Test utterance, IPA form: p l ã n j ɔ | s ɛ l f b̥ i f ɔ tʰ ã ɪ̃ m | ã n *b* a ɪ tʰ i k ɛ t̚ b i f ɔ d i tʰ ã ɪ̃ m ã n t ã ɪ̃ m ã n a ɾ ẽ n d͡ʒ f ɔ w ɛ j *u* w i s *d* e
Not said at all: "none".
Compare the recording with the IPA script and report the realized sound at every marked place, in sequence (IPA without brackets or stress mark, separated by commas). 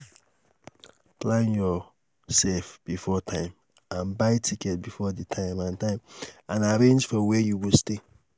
b, u, t